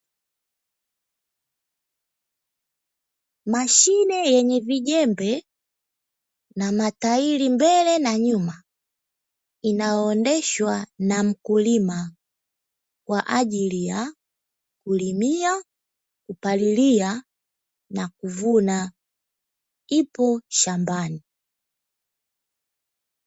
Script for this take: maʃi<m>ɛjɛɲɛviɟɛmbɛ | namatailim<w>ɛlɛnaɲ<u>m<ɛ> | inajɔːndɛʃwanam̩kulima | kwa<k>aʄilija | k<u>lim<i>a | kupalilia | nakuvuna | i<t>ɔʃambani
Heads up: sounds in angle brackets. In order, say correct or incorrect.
incorrect: n, incorrect: b, correct, incorrect: a, incorrect: ʔ, correct, correct, incorrect: p

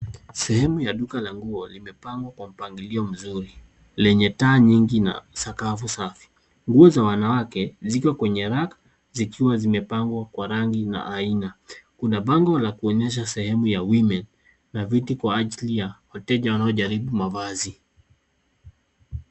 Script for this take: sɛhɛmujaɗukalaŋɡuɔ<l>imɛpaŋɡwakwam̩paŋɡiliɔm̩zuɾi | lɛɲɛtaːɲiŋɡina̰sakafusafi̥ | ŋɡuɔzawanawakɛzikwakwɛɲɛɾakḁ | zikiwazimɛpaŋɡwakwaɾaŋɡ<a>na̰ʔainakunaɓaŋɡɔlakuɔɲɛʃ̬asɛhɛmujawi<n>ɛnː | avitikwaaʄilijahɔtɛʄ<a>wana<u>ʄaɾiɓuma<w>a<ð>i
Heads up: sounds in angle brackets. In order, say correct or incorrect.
correct, incorrect: i, incorrect: m, correct, incorrect: ɔ, incorrect: v, incorrect: z

